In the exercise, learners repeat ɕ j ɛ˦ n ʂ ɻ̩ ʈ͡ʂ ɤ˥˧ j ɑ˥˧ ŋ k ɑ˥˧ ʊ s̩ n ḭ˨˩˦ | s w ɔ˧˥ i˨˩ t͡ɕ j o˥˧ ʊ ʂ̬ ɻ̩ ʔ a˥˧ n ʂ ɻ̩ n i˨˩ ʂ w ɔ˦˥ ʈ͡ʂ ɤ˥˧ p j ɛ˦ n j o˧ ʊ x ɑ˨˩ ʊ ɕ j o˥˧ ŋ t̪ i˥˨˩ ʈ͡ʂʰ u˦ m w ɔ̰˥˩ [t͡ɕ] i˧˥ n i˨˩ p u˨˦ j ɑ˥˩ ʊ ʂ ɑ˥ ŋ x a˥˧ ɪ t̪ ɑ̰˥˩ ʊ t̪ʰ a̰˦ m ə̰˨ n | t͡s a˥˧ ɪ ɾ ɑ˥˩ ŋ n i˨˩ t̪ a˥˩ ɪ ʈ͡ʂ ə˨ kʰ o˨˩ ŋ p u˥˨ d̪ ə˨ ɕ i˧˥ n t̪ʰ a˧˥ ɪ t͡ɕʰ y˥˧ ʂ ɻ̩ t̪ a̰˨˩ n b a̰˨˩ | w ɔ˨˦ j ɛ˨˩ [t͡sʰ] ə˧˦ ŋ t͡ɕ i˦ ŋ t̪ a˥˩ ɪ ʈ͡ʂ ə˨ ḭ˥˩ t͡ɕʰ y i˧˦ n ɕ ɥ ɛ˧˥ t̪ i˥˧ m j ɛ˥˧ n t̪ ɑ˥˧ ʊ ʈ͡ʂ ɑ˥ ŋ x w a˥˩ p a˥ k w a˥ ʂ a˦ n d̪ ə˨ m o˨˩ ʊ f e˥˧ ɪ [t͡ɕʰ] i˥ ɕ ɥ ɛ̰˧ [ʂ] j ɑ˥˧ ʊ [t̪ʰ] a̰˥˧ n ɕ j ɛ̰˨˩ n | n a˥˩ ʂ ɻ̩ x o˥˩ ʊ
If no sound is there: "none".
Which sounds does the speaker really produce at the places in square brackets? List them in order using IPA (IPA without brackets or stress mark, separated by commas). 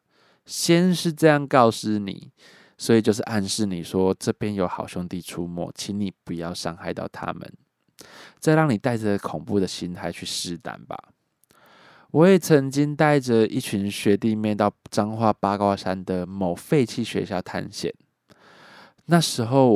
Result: t͡ɕʰ, t͡sʰ, t͡ɕʰ, ɕ, t̪ʰ